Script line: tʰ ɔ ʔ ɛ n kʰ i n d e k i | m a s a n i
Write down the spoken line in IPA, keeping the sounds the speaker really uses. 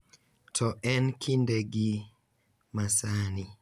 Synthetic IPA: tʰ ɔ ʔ ɛ n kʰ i n d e ɡ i | m a s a n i